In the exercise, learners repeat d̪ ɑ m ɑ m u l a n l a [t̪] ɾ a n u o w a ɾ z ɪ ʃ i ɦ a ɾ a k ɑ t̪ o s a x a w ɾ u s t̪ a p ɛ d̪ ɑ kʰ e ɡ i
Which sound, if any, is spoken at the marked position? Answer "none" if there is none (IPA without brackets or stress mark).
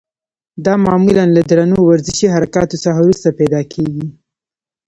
d̪